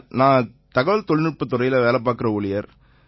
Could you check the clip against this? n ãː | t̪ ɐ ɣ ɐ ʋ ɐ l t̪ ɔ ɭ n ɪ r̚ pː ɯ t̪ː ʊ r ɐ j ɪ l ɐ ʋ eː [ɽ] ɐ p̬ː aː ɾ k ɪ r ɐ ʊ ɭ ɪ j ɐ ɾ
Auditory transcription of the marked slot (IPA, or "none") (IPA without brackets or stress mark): l